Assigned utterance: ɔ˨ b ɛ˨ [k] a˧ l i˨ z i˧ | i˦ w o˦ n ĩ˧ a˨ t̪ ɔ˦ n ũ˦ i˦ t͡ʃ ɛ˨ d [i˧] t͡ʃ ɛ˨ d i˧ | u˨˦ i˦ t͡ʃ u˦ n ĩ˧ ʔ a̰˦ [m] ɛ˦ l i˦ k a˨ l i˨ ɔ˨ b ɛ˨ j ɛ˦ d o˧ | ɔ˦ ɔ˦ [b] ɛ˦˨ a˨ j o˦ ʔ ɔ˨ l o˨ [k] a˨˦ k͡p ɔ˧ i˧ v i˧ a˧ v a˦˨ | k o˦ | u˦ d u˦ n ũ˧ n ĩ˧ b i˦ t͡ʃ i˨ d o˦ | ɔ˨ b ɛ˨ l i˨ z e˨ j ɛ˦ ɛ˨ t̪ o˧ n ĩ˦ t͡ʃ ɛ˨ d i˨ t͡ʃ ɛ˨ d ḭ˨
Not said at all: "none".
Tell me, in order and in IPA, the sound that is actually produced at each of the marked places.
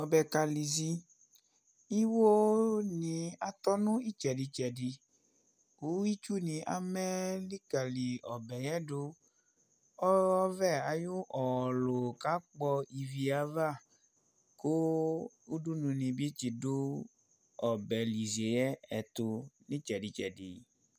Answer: k, i˧, m, v, k

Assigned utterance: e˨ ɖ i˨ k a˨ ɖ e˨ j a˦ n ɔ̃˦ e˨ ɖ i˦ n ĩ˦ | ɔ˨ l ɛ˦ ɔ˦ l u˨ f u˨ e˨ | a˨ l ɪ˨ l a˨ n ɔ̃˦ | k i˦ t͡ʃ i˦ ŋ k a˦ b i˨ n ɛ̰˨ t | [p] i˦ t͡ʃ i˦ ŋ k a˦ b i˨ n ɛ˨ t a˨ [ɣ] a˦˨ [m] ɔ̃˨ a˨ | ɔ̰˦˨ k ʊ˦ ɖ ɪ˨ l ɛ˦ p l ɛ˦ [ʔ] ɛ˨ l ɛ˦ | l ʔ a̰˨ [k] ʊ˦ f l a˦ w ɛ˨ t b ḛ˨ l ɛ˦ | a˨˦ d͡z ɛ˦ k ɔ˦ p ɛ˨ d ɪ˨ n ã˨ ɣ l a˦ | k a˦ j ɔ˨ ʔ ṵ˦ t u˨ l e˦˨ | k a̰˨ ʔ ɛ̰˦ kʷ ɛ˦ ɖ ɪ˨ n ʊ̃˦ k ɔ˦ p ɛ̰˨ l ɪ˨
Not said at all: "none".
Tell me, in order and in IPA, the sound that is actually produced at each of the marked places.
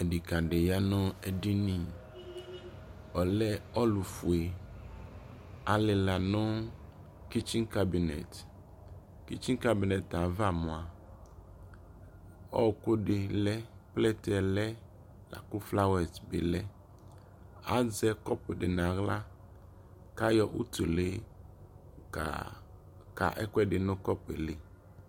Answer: k, v, m, t, k

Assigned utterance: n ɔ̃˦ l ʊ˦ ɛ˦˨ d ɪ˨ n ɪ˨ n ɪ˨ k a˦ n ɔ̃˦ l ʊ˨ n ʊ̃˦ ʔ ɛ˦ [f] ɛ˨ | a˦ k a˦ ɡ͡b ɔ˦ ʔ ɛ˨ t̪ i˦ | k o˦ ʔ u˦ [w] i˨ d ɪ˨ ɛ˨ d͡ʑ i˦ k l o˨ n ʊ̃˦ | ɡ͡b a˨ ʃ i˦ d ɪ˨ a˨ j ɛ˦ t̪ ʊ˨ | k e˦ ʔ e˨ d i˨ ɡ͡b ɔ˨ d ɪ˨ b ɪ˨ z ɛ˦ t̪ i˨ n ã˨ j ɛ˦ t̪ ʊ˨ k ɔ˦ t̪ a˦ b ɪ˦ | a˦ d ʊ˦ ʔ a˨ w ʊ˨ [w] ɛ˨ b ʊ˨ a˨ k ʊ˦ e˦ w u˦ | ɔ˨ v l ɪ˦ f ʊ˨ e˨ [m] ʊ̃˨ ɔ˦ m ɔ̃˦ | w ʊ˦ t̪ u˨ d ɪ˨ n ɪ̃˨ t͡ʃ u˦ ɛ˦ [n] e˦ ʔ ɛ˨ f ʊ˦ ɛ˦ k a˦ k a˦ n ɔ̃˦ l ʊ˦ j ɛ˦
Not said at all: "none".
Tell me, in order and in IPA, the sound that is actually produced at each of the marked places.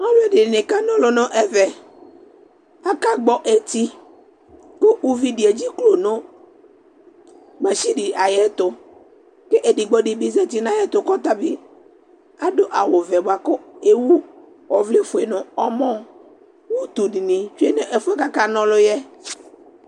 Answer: v, v, v, n, n

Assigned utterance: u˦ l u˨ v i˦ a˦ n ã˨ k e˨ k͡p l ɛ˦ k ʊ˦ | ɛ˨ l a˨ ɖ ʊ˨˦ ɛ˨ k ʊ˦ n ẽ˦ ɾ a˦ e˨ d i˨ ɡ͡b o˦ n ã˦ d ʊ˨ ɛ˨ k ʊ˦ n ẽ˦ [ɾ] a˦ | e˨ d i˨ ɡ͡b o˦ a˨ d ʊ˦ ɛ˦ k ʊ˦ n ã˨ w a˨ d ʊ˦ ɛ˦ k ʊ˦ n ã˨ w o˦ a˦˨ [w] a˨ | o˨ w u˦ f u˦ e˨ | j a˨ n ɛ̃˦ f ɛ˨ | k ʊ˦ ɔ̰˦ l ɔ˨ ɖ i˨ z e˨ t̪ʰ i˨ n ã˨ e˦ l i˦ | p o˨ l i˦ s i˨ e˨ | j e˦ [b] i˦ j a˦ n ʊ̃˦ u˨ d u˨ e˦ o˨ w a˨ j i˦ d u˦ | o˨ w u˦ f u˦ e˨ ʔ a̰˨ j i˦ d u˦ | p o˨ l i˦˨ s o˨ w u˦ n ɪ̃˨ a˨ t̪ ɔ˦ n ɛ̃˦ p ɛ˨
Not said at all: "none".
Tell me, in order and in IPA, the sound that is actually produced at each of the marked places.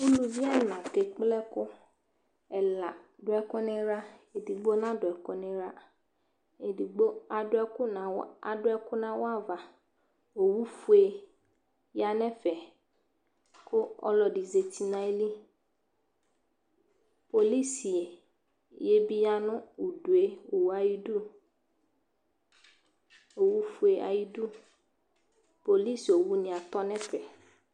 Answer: ɾ, v, b

